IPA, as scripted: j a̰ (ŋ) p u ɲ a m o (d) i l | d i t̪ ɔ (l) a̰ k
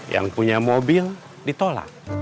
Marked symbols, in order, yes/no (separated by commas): yes, no, yes